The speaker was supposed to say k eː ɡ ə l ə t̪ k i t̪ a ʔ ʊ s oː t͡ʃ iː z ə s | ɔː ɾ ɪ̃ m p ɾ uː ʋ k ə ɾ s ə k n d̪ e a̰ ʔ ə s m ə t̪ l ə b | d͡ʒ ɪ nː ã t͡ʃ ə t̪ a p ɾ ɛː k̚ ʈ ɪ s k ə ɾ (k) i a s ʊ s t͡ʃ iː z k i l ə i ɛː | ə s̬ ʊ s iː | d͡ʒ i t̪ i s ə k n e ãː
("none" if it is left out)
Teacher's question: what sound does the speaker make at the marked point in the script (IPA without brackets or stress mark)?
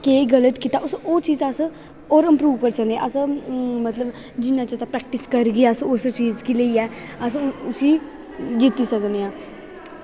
ɡ